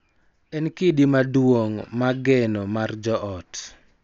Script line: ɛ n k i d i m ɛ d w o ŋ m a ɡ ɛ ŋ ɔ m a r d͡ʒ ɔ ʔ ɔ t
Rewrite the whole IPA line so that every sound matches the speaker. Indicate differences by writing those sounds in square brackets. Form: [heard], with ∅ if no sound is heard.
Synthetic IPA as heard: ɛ n k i d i m [a] d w o ŋ m a ɡ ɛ [n] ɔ m a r d͡ʒ ɔ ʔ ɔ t